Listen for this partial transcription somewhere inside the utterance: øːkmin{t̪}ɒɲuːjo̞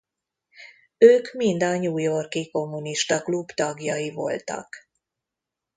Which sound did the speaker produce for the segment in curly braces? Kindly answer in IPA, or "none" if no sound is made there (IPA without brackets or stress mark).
d̪